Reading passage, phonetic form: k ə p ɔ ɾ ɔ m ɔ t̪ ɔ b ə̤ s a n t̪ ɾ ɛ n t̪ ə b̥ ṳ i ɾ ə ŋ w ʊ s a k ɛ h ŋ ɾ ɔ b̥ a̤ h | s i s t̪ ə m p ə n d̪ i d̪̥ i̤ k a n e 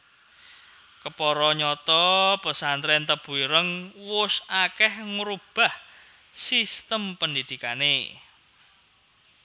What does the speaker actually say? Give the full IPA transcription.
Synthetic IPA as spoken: k ə p ɔ ɾ ɔ ɲ ɔ t̪ ɔ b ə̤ s a n t̪ ɾ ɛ n t̪ ə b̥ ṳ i ɾ ə ŋ w ʊ s a k ɛ h ŋ ɾ u b̥ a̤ h | s i s t̪ ə m p ə n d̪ i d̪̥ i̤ k a n e